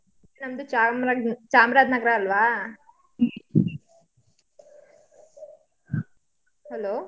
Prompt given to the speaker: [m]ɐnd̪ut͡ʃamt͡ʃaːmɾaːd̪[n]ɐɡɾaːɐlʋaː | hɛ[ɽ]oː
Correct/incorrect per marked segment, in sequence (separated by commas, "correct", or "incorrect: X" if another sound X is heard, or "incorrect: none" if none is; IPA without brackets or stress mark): incorrect: n, correct, incorrect: l